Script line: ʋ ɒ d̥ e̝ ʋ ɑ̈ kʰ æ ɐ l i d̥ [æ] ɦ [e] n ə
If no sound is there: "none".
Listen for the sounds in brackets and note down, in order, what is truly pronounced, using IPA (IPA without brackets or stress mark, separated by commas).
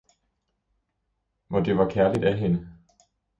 æ, e